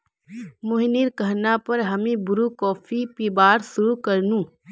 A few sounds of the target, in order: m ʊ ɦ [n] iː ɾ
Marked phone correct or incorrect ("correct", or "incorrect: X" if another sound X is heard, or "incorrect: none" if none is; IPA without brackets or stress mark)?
correct